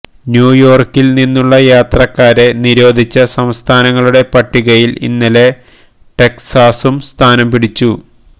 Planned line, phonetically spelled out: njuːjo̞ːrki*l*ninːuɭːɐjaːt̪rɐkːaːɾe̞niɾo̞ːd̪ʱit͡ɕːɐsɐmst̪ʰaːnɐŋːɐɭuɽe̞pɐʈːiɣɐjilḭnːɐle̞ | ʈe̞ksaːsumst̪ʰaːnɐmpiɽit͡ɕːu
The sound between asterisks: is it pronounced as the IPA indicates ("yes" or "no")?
yes